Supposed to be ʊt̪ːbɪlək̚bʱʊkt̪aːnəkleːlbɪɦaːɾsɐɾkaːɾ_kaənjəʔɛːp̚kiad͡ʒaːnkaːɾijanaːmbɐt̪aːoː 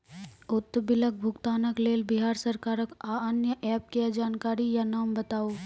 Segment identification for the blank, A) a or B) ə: B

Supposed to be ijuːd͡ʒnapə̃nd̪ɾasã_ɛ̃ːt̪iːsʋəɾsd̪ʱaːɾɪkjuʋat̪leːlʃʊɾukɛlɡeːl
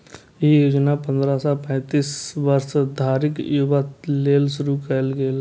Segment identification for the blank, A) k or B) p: B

